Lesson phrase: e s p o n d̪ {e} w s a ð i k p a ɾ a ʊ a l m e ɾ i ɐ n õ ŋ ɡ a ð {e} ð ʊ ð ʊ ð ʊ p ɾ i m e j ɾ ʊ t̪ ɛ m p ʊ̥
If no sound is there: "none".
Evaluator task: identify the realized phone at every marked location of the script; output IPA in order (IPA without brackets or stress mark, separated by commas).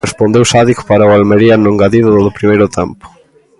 e, i